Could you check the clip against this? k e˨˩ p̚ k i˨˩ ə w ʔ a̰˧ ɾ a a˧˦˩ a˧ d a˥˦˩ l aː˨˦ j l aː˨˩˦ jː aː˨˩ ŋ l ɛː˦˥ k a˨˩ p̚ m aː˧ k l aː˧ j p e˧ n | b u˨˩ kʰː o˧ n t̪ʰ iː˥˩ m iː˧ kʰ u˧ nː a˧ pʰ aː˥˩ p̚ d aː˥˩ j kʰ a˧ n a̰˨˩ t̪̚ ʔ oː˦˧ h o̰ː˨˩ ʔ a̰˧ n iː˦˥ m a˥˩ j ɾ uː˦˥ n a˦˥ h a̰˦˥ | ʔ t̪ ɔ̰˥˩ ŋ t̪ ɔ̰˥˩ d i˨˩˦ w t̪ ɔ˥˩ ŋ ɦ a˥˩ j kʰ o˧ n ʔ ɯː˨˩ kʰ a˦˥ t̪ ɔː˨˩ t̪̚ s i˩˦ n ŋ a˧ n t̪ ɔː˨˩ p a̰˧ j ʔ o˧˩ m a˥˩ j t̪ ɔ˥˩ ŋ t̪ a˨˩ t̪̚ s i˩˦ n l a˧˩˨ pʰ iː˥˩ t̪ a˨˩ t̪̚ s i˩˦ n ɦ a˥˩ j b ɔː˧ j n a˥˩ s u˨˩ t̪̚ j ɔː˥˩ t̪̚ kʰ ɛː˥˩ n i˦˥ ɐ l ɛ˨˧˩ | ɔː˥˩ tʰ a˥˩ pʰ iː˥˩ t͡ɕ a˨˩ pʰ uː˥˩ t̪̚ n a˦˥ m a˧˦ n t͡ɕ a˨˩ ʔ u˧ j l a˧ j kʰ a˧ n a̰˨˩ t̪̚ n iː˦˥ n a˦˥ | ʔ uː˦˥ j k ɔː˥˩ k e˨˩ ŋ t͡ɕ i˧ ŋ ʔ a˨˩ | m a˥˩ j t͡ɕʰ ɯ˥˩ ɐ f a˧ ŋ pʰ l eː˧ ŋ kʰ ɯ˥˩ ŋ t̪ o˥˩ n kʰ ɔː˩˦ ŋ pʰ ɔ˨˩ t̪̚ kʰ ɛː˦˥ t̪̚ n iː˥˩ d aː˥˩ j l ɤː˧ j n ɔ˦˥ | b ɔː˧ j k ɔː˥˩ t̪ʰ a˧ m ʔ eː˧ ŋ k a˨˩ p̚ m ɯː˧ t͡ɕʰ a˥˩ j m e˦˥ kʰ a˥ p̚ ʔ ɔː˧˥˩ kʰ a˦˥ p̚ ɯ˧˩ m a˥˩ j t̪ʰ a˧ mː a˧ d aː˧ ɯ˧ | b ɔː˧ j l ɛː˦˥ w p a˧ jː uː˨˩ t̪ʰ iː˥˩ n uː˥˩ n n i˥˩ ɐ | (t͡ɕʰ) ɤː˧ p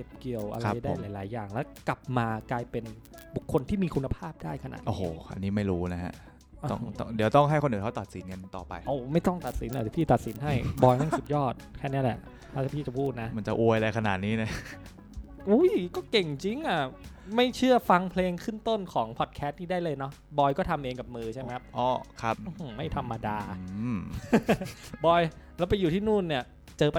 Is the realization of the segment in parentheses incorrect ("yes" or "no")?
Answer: yes